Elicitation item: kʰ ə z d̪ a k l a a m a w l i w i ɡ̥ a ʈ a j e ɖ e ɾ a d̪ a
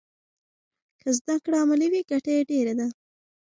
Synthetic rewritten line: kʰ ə z d̪ a k ɽ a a m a l i w i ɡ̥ a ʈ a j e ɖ e ɾ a d̪ a